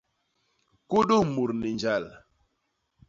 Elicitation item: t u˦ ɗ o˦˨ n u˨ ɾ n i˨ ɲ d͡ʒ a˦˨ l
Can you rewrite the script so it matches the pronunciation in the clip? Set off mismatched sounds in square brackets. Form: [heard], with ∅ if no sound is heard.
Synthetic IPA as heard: [k] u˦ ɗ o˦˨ [m] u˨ ɾ n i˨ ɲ d͡ʒ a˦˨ l